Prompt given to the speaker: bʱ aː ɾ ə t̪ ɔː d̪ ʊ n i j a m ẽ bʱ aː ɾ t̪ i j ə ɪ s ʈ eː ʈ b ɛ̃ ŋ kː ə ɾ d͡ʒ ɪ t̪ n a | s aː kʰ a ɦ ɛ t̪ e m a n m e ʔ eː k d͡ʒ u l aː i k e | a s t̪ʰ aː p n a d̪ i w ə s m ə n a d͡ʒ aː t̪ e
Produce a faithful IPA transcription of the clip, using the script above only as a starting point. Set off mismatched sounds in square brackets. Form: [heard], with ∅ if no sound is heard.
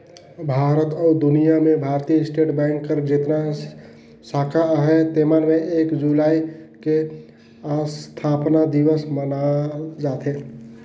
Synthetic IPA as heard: bʱ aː ɾ ə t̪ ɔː d̪ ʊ n i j a m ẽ bʱ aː ɾ t̪ i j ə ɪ s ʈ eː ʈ b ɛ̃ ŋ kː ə ɾ d͡ʒ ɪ t̪ n a | s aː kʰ a ɦ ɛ t̪ e m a n m e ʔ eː k d͡ʒ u l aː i k e | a s t̪ʰ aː p n a d̪ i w ə s m ə n a d͡ʒ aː t̪ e